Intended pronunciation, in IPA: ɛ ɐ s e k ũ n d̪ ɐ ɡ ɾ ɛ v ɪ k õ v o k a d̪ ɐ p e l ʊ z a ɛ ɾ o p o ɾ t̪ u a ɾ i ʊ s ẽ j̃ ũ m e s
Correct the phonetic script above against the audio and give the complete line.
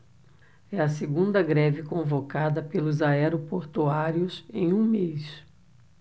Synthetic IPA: ɛ ɐ s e ɡ ũ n d̪ ɐ ɡ ɾ ɛ v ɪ k õ v o k a d̪ ɐ p e l ʊ z a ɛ ɾ o p o ɾ t̪ u a ɾ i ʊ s ẽ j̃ ũ m e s